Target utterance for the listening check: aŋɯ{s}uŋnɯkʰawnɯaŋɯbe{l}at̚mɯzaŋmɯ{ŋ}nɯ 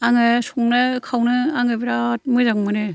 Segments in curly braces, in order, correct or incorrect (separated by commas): correct, incorrect, incorrect